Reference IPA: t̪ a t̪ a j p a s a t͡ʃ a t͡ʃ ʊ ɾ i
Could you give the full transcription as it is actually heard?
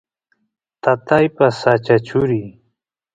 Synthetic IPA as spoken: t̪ a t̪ a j p a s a t͡ʃ a t͡ʃ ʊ ɾ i